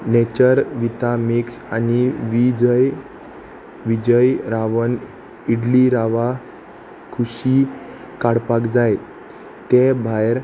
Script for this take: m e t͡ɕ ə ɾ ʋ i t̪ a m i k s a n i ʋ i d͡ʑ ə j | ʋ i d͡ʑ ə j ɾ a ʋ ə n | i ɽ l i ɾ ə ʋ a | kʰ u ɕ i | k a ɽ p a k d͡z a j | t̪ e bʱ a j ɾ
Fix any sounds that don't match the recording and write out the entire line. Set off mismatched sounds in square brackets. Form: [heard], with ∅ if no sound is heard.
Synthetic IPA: [n] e t͡ɕ ə ɾ ʋ i t̪ a m i k s a n i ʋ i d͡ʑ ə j | ʋ i d͡ʑ ə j ɾ a ʋ ə n | i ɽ l i ɾ [a] ʋ a | kʰ u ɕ i | k a ɽ p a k d͡z a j | t̪ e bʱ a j ɾ